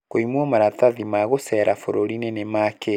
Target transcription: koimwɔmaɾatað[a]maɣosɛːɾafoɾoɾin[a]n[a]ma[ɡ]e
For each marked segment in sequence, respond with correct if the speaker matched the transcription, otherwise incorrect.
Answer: incorrect: i, incorrect: e, incorrect: e, incorrect: k

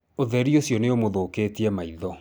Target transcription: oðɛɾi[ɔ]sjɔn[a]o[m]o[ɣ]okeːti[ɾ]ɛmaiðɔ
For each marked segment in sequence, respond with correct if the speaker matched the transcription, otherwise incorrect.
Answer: incorrect: o, incorrect: e, correct, incorrect: ð, incorrect: none

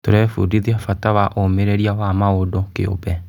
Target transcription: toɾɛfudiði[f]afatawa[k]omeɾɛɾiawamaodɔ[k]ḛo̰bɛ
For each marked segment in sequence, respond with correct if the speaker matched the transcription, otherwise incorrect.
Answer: incorrect: none, incorrect: ʔ, correct

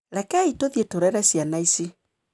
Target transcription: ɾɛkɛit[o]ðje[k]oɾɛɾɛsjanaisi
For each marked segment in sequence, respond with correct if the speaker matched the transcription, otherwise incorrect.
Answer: correct, incorrect: t

